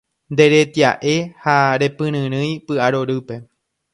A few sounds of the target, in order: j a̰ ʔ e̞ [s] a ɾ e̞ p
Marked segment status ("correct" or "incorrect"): incorrect